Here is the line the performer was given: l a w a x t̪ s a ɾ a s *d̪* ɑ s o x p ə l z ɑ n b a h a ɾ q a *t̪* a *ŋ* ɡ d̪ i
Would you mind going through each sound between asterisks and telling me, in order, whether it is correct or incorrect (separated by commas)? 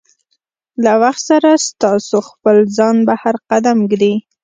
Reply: incorrect, incorrect, incorrect